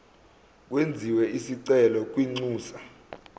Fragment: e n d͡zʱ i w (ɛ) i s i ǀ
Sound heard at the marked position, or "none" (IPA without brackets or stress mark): ɛ